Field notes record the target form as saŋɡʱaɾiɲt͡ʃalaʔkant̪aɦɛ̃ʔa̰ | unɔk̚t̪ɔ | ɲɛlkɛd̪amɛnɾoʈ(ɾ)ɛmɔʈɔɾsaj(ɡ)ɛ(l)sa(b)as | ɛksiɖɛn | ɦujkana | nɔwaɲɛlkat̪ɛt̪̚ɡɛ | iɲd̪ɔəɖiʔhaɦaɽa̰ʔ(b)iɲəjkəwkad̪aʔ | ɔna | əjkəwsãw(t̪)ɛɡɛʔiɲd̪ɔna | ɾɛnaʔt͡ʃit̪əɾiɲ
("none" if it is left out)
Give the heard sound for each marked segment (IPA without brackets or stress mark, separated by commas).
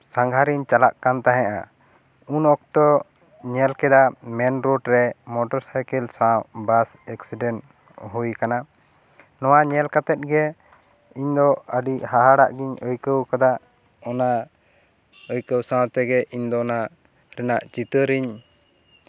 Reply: ɾ, k, l, b, ɡ, t̪